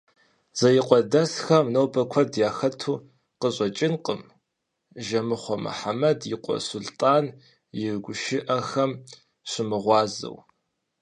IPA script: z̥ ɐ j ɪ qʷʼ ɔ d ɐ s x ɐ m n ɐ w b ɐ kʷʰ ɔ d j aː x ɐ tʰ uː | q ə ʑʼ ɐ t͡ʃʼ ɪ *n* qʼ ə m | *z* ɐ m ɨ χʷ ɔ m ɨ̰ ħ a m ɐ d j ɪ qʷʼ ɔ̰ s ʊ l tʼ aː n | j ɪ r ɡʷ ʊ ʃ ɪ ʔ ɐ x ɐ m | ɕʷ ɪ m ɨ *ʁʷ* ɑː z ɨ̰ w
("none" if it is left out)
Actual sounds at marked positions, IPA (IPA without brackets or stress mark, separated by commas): n, ʒ, ʁʷ